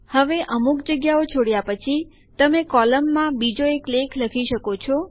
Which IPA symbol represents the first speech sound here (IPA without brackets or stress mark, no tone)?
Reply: h